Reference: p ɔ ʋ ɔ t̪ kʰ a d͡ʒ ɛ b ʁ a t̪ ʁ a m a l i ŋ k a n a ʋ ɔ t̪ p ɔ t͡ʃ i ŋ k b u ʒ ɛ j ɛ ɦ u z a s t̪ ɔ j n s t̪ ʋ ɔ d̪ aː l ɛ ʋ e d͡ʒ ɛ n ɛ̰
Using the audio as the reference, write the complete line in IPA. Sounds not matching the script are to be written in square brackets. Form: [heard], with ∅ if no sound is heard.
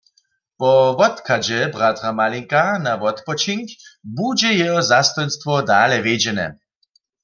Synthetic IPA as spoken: p ɔ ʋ ɔ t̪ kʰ a d͡ʒ ɛ b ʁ a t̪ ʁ a m a l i ŋ k a n a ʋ ɔ t̪ p ɔ t͡ʃ i ŋ k b u [d͡ʒ] ɛ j ɛ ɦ [ɔ] z a s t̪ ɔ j n s t̪ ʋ ɔ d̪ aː l ɛ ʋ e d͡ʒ ɛ n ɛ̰